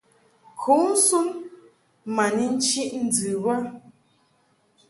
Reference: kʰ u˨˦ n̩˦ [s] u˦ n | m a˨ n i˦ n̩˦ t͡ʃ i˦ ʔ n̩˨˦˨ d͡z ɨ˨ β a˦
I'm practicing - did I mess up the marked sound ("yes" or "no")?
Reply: no